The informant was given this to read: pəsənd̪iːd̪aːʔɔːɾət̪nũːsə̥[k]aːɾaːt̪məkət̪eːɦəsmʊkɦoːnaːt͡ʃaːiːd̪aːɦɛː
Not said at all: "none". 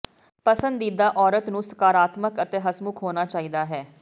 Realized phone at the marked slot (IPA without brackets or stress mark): k